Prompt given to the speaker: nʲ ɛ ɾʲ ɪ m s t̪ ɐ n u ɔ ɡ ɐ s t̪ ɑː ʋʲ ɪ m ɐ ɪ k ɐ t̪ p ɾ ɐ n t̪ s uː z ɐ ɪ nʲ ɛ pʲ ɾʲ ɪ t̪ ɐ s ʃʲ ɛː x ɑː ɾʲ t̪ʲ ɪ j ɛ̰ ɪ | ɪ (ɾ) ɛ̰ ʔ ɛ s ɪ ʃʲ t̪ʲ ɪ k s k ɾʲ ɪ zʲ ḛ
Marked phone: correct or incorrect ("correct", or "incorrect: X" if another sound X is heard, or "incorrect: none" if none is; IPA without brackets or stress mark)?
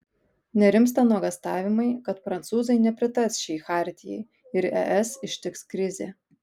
correct